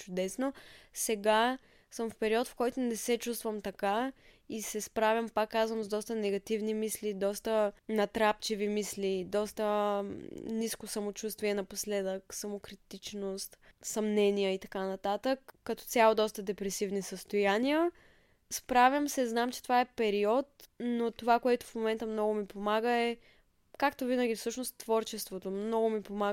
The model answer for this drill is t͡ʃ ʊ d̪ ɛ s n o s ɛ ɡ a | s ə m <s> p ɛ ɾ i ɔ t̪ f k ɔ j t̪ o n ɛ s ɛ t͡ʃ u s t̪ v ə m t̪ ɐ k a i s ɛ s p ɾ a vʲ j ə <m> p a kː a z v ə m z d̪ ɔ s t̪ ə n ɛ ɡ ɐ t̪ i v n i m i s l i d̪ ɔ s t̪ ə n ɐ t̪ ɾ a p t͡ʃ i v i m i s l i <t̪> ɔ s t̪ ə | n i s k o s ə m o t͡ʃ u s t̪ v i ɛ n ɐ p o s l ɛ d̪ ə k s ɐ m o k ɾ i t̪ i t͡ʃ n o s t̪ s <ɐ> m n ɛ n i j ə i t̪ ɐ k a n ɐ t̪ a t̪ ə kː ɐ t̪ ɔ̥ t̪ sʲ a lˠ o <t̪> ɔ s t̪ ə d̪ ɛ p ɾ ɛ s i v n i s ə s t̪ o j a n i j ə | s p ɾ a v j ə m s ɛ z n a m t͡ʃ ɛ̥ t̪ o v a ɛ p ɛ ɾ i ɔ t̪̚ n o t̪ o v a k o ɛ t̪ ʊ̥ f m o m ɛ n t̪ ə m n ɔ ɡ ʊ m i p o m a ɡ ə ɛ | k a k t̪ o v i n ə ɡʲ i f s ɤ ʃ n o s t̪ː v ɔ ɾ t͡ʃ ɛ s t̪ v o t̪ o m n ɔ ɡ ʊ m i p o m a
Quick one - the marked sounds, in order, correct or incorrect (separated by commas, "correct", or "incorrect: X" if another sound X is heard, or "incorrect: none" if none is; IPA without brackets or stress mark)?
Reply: incorrect: f, correct, incorrect: d̪, correct, incorrect: d̪